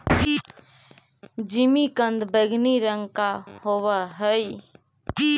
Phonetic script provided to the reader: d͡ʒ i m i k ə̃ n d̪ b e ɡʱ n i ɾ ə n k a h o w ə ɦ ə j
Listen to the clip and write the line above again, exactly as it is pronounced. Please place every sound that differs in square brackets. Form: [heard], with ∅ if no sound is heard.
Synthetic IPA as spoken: d͡ʒ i m i k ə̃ n d̪ b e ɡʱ n i ɾ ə [ŋ] k a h o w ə ɦ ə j